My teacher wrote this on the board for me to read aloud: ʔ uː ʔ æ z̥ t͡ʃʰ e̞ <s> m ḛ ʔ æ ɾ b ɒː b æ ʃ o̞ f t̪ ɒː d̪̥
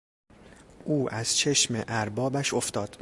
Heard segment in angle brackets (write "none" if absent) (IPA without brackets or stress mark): ʃ